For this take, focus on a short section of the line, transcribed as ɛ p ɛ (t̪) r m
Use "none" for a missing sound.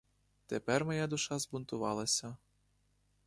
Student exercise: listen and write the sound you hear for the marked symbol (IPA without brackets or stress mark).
none